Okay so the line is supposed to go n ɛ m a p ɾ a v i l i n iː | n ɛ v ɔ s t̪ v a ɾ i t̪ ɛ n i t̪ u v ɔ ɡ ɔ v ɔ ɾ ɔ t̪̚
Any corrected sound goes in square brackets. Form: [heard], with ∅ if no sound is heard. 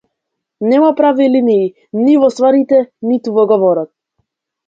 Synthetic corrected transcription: n ɛ m a p ɾ a v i l i n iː | n [i] v ɔ s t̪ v a ɾ i t̪ ɛ n i t̪ u v ɔ ɡ ɔ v ɔ ɾ ɔ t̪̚